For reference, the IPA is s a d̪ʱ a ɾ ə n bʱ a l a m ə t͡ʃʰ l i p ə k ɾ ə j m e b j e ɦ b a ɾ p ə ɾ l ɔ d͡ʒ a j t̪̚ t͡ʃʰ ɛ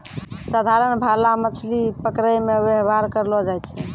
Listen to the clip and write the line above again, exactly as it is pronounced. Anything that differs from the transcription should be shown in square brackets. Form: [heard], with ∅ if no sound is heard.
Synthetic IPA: s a d̪ʱ a ɾ ə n bʱ a l a m ə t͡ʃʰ l i p ə k ɾ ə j m e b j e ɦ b a ɾ [k] ə ɾ l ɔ d͡ʒ a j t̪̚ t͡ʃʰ ɛ